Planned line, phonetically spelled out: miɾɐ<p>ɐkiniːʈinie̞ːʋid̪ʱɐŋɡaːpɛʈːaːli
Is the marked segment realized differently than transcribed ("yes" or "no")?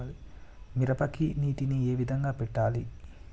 no